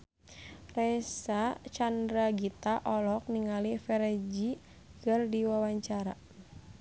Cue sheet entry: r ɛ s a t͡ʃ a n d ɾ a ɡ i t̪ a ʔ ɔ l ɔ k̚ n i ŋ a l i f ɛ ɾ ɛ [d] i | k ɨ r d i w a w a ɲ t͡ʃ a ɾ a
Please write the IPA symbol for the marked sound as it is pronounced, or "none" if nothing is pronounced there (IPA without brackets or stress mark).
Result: d͡ʒ